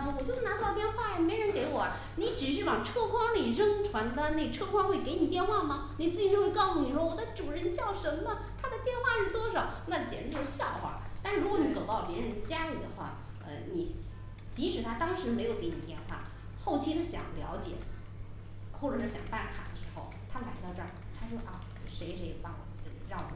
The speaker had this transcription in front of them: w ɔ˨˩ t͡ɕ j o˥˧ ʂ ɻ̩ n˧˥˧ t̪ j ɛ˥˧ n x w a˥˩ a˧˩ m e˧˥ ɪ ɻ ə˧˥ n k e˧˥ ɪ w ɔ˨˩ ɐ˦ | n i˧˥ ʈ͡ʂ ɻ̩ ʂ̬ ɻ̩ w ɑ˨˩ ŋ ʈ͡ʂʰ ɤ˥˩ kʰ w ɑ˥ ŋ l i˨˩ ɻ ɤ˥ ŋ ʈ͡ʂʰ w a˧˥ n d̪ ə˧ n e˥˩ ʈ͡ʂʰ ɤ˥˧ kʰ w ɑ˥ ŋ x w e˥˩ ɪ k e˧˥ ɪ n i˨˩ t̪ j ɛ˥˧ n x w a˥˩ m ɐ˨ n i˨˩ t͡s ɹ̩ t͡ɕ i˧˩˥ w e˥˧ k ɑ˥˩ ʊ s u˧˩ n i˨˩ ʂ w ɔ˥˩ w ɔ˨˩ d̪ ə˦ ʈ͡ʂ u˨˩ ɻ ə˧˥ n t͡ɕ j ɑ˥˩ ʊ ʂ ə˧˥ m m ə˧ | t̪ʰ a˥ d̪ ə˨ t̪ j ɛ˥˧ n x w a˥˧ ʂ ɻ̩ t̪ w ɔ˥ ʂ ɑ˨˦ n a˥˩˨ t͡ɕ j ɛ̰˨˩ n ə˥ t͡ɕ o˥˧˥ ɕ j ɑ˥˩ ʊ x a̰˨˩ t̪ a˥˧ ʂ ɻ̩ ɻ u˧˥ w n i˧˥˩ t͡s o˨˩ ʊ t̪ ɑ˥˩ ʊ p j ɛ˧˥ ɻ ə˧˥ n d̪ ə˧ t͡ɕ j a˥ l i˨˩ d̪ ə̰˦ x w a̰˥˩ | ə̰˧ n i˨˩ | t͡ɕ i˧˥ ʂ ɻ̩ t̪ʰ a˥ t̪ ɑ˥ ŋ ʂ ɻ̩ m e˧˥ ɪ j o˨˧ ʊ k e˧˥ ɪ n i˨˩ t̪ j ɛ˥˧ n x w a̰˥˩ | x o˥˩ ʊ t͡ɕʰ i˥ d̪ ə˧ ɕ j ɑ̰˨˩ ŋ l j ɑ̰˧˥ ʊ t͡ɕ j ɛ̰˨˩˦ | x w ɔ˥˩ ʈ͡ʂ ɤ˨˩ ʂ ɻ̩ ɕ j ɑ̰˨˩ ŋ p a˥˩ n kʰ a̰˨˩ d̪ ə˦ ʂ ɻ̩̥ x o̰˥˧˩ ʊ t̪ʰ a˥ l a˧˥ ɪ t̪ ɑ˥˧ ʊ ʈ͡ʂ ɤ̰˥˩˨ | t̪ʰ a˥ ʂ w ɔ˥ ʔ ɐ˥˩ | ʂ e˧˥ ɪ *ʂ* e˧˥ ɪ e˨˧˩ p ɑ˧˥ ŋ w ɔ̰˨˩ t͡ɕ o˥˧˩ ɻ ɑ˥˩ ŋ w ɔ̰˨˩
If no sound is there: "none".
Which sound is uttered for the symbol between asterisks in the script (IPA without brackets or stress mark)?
ʂ